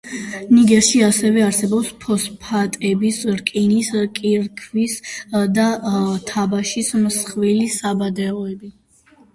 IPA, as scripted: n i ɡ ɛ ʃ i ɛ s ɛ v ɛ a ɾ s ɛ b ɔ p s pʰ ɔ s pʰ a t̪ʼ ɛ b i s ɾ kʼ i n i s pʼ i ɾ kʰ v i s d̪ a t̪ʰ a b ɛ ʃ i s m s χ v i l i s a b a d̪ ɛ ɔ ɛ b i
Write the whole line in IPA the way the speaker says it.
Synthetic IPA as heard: n i ɡ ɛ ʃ i a s ɛ v ɛ a ɾ s ɛ b ɔ p s pʰ ɔ s pʰ a t̪ʼ ɛ b i s ɾ kʼ i n i s kʼ i ɾ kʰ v i s d̪ a t̪ʰ a b a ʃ i s m s χ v i l i s a b a d̪ ɛ ɔ ɛ b i